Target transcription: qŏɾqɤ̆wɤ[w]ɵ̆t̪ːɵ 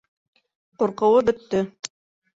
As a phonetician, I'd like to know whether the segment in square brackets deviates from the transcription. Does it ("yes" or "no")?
yes